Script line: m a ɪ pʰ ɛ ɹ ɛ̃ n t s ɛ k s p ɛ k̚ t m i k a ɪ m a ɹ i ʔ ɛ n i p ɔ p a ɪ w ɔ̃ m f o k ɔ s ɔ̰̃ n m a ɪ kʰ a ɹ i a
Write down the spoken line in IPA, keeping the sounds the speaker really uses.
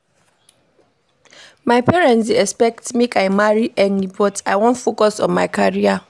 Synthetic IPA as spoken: m a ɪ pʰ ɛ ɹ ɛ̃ n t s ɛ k s p ɛ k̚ t m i k a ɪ m a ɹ i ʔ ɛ n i b ɔ t a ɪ w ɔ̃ n f o k ɔ s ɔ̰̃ n m a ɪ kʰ a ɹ i a